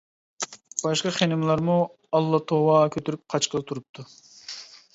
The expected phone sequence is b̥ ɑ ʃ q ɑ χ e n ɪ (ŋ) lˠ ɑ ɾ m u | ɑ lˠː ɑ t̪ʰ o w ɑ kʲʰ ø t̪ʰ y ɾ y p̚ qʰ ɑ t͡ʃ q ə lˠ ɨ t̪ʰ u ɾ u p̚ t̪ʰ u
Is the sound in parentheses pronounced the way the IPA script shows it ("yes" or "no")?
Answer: no